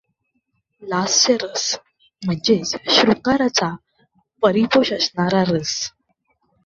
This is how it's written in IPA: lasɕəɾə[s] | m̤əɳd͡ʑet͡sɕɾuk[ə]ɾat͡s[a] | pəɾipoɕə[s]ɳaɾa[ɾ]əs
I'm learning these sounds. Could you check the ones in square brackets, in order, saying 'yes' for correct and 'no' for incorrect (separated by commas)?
yes, no, yes, yes, yes